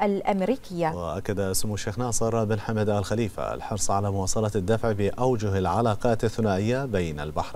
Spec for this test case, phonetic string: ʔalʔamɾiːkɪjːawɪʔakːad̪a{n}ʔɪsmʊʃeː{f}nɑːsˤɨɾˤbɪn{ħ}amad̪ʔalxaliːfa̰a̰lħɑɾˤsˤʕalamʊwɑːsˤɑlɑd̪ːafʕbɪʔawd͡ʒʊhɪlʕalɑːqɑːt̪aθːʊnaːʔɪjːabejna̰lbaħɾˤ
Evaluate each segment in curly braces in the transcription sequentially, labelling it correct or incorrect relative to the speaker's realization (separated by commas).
incorrect, incorrect, correct